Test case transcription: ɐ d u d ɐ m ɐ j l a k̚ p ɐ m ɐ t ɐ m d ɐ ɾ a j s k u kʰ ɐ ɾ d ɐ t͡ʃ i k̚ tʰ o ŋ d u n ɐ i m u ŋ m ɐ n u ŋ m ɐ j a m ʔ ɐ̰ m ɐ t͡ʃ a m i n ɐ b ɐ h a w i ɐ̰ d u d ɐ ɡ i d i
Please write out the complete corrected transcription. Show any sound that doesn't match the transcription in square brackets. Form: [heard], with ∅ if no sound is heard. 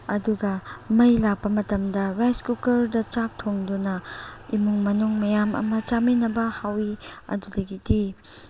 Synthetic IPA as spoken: ɐ d u [ɡ] ɐ m ɐ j l a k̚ p ɐ m ɐ t ɐ m d ɐ ɾ a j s k u [k] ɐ ɾ d ɐ t͡ʃ [a] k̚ tʰ o ŋ d u n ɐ i m u ŋ m ɐ n u ŋ m ɐ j a m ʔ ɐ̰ m ɐ t͡ʃ a m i n ɐ b ɐ h a w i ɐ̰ d u d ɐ ɡ i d i